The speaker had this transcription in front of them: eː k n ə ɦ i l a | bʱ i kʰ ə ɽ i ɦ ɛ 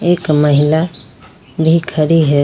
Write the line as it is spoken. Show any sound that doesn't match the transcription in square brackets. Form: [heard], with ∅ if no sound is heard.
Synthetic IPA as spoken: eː k [m] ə ɦ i l a | bʱ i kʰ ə [ɾ] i ɦ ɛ